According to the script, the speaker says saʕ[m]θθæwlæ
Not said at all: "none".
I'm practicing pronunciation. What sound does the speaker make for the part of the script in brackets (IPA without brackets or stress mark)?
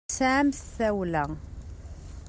m